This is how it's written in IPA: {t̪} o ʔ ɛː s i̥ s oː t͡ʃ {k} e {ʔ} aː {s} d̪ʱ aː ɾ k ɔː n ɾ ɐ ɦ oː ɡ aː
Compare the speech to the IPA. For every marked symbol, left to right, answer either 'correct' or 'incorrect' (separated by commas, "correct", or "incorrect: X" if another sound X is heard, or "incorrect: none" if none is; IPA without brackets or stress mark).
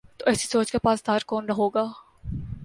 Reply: correct, correct, incorrect: p, correct